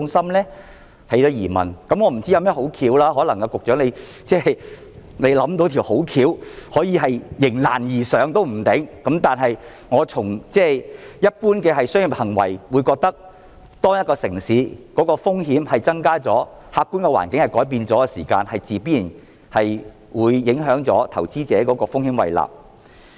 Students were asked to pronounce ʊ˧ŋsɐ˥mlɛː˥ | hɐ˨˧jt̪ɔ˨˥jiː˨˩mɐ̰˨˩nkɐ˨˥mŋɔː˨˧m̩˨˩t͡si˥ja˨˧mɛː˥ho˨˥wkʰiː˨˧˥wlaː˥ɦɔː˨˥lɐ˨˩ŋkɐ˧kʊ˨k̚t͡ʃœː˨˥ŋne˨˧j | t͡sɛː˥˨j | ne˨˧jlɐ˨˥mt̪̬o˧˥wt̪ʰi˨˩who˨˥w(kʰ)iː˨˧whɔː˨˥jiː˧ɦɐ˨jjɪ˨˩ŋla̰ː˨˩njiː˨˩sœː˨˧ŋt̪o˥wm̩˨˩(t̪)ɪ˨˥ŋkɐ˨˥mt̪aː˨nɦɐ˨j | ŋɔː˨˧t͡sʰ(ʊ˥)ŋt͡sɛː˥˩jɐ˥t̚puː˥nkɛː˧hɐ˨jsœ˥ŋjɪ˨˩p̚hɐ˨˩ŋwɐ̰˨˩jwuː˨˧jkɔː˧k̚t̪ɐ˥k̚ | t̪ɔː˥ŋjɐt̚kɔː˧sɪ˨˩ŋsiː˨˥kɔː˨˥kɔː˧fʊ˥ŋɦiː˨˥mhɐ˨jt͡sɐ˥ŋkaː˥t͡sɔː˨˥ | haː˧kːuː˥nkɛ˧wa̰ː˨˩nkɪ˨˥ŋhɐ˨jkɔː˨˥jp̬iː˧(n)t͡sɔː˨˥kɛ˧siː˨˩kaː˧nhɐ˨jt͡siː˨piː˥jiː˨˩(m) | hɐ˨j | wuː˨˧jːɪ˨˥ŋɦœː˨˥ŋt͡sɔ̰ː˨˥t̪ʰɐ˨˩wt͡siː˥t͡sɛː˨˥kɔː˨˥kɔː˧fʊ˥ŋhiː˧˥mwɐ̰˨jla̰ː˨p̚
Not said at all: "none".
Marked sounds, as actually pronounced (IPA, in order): kʰ, t̪, ʊ˨˩, n, n

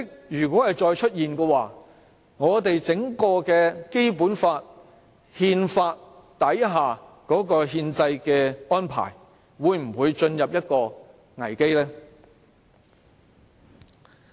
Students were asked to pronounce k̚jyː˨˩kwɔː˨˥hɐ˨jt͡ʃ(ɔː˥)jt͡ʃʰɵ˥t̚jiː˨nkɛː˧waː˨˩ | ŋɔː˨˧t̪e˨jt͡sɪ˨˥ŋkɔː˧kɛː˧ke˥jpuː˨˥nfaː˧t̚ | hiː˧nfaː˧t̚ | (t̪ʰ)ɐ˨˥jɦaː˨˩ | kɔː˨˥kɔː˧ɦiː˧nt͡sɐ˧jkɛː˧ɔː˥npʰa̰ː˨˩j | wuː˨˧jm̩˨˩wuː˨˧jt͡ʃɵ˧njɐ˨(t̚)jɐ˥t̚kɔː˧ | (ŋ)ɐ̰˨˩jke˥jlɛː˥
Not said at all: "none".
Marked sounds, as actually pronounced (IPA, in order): ɔː˧, t̪, p̚, ŋ

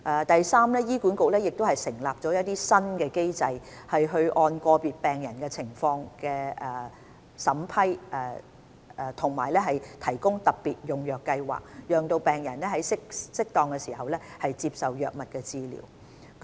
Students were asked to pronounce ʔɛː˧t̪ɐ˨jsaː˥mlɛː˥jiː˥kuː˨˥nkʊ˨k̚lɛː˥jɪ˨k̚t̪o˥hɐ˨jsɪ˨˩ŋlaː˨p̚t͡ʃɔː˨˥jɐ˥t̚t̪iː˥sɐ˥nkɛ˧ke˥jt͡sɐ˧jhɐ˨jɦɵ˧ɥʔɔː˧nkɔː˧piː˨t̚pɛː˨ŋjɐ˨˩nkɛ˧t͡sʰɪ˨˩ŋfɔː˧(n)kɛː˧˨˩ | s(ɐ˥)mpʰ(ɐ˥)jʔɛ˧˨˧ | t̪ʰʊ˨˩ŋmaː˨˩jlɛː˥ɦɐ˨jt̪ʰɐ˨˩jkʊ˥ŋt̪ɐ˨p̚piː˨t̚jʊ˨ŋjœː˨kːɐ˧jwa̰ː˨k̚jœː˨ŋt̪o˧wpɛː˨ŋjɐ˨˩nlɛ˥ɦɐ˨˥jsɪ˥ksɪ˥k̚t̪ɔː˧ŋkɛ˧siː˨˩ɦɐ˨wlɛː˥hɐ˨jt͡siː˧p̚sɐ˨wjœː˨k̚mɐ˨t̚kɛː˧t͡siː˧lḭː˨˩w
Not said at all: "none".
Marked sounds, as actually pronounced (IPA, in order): ŋ, ɐ˨˥, ɐ˥

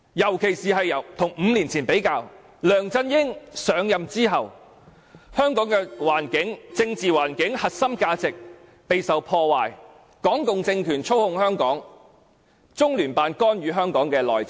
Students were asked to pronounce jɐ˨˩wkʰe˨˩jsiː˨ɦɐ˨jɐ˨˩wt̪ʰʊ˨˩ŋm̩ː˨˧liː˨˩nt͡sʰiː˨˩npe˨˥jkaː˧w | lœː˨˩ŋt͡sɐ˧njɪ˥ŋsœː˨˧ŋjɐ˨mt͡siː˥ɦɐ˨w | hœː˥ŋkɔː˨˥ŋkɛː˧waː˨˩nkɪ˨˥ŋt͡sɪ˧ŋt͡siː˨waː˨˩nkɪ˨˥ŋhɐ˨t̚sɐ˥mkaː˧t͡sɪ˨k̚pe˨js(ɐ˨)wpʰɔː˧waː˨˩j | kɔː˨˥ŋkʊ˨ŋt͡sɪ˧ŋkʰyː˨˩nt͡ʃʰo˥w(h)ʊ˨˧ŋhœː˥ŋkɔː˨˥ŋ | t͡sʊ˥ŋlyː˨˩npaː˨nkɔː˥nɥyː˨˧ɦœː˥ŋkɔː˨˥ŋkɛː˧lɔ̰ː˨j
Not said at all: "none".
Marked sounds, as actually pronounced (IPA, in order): ɐ˨, h

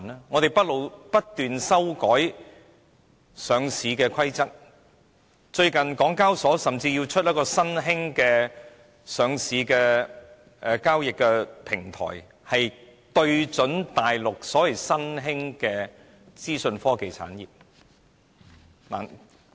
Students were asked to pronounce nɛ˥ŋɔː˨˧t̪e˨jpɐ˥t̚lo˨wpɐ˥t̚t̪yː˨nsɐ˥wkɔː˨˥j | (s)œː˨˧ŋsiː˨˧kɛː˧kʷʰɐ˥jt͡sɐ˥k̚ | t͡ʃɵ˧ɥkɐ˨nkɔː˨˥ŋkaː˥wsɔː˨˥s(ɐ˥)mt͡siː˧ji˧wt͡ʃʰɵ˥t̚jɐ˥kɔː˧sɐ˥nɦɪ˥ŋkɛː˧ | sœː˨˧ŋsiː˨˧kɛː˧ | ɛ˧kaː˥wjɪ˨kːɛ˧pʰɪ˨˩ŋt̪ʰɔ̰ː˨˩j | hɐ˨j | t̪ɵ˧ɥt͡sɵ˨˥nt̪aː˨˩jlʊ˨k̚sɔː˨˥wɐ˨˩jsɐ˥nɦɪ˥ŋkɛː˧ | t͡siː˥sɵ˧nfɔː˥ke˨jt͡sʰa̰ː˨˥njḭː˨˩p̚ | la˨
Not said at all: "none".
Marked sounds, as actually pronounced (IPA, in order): s, ɐ˨

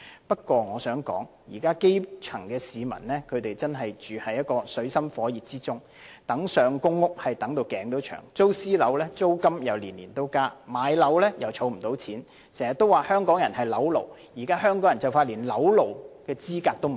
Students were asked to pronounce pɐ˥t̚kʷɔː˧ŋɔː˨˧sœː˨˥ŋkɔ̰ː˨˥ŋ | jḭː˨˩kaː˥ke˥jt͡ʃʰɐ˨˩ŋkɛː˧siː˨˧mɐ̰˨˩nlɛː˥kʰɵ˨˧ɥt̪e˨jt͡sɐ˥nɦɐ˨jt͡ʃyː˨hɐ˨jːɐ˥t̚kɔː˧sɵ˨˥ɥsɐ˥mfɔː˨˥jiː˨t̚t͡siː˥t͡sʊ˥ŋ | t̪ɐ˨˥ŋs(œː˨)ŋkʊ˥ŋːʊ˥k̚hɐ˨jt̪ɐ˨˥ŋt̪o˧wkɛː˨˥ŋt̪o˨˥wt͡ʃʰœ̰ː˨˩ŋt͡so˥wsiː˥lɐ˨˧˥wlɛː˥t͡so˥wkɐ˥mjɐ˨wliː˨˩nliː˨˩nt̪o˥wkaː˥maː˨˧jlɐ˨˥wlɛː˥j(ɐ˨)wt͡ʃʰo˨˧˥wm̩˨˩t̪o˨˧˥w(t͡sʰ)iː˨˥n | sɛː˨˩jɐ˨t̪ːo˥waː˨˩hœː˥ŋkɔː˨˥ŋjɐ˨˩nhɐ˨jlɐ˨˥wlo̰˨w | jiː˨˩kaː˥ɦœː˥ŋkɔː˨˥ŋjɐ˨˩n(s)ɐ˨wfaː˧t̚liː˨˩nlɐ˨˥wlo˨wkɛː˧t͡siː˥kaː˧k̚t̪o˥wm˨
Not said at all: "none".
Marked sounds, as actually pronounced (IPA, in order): œː˨, ɐ˨, t͡sʰ, t͡s

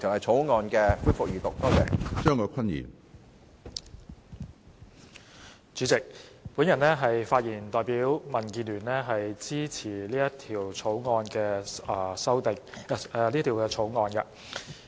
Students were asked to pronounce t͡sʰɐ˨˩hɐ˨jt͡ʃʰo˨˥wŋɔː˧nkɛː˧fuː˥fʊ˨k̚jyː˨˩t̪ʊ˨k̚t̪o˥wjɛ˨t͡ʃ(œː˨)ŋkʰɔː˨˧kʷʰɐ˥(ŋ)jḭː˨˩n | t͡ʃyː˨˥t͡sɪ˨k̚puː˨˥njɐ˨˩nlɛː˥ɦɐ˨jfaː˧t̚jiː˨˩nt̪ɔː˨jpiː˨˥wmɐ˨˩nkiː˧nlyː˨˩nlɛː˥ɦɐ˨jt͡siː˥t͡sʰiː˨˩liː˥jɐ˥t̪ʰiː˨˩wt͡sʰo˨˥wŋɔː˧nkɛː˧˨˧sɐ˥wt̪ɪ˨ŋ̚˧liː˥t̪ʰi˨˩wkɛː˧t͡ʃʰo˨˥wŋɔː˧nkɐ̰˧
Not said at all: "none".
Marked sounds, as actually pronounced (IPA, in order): œː˥, n

